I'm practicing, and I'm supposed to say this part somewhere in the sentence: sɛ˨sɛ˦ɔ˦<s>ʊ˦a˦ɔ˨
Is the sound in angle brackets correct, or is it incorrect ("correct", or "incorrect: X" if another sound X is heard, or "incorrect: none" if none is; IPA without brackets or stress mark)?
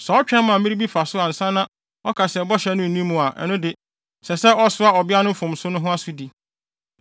correct